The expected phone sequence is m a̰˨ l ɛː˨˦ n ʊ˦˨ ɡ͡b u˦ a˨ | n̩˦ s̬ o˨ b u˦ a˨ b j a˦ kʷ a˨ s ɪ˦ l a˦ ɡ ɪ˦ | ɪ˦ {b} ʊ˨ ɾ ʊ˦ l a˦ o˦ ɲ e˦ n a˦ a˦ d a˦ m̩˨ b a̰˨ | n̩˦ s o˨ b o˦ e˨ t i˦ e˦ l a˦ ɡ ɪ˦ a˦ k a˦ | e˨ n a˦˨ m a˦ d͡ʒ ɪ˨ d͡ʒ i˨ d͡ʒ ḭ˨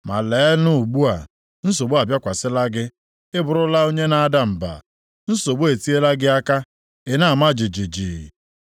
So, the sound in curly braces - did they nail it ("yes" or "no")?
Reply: yes